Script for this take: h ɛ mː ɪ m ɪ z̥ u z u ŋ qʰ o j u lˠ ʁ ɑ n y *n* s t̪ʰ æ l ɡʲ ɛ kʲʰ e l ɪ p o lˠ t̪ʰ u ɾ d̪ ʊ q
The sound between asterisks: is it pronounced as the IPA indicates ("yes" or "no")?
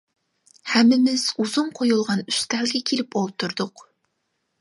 no